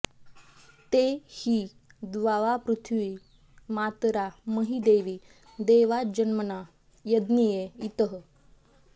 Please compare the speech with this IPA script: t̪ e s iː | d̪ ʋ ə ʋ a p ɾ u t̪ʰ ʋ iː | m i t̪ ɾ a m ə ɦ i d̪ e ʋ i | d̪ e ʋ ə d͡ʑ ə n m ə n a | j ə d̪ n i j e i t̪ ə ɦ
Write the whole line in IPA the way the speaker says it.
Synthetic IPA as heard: t̪ e h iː | d̪ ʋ a ʋ a p ɾ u t̪ʰ ʋ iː | m a t̪ ɾ a m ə ɦ i d̪ e ʋ i | d̪ e ʋ a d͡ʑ ə n m ə n a | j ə d̪ n i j e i t̪ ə ɦ